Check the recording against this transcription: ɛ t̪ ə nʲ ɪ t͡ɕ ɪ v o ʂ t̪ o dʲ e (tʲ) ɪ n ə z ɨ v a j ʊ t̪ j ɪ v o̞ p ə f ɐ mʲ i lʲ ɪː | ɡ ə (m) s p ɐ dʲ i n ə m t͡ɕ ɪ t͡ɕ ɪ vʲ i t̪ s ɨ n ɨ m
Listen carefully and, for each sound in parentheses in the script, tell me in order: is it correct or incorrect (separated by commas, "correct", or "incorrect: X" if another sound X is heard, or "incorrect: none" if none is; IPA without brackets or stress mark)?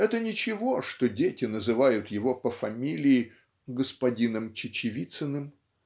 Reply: correct, incorrect: none